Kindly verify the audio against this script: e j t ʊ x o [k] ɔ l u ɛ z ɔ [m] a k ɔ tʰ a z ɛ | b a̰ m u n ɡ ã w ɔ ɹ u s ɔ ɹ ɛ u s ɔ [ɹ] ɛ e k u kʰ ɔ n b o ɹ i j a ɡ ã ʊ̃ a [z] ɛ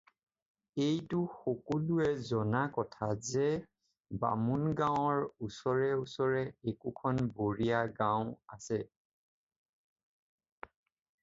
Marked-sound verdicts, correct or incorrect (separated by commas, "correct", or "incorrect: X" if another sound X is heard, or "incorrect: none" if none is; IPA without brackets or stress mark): correct, incorrect: n, correct, incorrect: s